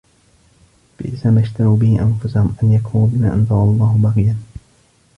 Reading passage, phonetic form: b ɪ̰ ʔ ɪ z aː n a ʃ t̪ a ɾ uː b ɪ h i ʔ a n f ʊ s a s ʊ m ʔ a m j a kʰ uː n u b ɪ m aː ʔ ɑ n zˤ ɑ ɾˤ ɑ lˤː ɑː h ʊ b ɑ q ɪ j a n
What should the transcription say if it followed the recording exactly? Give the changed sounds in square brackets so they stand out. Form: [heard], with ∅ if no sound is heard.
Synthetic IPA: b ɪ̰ ʔ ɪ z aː [m] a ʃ t̪ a ɾ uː b ɪ h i ʔ a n f ʊ s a [h] ʊ m ʔ a [n] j a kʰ uː n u b ɪ m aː ʔ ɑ n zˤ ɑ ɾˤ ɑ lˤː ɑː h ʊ b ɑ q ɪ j a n